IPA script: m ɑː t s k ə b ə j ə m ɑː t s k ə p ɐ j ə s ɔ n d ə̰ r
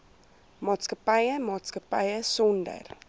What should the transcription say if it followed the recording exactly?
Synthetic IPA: m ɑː t s k ə p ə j ə m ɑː t s k ə p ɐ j ə s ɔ n d ə̰ r